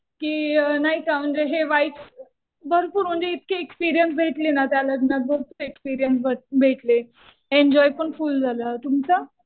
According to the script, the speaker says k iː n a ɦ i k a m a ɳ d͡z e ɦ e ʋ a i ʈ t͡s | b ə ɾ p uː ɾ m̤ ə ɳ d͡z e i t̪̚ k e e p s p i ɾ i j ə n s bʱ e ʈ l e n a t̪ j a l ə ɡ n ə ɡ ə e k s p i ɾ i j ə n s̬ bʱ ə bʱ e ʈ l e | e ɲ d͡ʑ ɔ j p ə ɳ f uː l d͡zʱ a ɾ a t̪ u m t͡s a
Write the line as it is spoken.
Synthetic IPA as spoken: k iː n a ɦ i k a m ə ɳ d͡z e ɦ e ʋ a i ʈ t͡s | b ə ɾ p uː ɾ m̤ ə ɳ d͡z e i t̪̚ k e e k s p i ɾ i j ə n s bʱ e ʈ l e n a t̪ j a l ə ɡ n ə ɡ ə e k s p i ɾ i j ə n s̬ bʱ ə bʱ e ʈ l e | e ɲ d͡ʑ ɔ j p ə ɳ f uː l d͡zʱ a l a t̪ u m t͡s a